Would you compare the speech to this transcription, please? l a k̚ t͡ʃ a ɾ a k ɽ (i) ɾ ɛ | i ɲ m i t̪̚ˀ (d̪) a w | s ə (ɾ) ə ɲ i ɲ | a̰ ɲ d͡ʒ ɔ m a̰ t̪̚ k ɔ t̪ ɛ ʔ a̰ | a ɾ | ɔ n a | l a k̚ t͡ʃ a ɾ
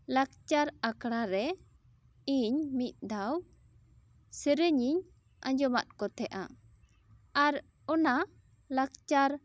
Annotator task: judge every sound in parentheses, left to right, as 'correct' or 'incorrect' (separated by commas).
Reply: incorrect, correct, correct